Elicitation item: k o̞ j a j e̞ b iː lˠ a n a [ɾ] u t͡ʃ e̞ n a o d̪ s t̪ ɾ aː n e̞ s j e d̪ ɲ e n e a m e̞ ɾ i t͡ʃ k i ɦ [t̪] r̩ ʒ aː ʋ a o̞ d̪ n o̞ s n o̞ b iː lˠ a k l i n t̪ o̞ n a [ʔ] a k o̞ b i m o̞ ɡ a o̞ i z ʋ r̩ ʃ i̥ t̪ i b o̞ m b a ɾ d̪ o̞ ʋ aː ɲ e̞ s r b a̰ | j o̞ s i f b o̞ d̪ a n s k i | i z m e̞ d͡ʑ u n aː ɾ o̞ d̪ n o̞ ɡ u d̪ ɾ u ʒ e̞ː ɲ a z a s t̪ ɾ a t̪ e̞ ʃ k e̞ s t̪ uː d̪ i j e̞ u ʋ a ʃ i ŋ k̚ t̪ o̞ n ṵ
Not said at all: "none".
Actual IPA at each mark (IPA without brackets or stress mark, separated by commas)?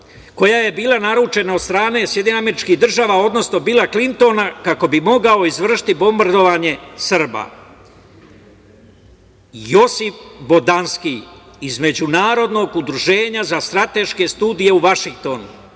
ɾ, d̪, k